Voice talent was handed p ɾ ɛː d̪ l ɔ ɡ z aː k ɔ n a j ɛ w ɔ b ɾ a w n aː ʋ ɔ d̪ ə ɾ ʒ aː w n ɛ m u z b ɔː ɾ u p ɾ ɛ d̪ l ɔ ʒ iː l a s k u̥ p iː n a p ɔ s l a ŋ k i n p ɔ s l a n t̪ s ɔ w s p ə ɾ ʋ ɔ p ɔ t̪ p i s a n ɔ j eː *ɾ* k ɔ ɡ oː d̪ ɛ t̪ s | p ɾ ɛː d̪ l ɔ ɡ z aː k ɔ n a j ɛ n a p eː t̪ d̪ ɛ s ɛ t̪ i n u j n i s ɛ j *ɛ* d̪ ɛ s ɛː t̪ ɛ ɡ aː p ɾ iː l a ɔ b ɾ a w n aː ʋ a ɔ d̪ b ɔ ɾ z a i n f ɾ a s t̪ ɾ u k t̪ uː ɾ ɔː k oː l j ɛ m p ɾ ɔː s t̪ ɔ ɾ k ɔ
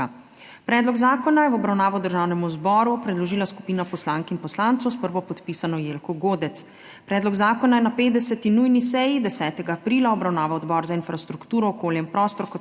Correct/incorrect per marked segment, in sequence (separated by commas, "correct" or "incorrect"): incorrect, incorrect